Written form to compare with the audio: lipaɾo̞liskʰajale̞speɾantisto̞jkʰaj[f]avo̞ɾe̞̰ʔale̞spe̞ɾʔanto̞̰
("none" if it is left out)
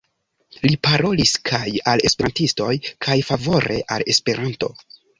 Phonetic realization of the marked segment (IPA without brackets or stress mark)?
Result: f